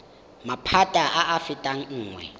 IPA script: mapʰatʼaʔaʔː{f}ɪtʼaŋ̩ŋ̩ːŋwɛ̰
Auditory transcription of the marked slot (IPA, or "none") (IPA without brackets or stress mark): f